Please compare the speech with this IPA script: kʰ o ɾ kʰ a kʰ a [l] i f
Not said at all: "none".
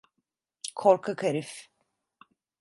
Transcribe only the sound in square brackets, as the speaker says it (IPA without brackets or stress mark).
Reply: ɾ